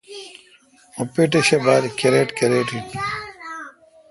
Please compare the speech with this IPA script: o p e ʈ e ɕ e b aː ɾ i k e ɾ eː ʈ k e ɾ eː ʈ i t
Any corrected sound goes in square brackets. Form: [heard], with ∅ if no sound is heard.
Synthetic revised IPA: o p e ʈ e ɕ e b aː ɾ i k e ɾ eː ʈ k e ɾ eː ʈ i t